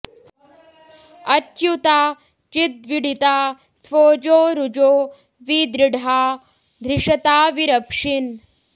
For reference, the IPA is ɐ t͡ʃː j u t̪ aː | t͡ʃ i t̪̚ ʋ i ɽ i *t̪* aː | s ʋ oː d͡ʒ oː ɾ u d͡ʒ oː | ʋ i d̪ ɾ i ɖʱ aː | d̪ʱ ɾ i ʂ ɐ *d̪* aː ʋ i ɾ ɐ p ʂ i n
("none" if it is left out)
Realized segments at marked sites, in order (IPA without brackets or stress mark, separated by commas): t̪, t̪